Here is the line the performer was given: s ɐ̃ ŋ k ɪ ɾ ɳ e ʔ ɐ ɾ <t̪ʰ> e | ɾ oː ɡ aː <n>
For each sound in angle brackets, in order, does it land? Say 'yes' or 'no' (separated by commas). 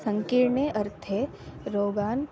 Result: yes, yes